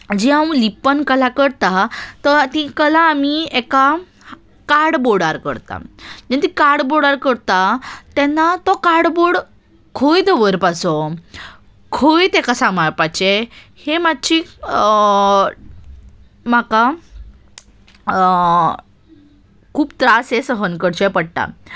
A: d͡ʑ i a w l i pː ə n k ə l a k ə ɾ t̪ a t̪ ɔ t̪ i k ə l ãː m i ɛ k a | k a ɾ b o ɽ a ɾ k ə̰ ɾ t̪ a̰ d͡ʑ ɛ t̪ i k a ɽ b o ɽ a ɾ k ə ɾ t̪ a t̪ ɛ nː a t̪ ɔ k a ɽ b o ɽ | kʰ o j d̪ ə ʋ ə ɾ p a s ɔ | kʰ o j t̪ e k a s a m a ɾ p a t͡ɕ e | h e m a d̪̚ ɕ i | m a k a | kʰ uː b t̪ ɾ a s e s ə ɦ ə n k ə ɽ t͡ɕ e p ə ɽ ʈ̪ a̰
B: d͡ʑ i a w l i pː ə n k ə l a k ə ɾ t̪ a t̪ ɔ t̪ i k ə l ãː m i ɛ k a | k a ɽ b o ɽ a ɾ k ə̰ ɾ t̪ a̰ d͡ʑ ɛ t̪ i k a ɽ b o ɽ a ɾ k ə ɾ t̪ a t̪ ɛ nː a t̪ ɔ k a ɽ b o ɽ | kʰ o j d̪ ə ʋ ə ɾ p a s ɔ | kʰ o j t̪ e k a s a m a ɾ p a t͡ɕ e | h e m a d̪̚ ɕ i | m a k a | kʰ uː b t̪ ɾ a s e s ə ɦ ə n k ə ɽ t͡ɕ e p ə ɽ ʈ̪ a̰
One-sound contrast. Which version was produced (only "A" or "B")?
B